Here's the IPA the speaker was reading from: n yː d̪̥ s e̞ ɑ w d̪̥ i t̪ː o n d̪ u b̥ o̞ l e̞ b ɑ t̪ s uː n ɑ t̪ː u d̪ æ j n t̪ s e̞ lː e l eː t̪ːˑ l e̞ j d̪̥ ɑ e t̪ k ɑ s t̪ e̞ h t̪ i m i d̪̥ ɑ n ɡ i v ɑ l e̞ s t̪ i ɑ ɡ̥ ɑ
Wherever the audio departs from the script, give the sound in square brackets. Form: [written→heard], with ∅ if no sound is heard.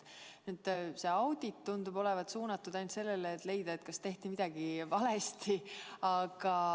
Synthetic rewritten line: n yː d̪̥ s e̞ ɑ w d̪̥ i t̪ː [o→u] n d̪ u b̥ o̞ l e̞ [b→v] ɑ t̪ s uː n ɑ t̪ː u d̪ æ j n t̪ s e̞ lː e l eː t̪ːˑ l e̞ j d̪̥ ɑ e t̪ k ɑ s t̪ e̞ h t̪ i m i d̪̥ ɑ [n→∅] ɡ i v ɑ l e̞ s t̪ i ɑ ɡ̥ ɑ